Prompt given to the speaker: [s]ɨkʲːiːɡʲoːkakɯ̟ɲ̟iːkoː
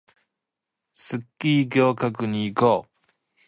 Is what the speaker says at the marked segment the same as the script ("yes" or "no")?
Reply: yes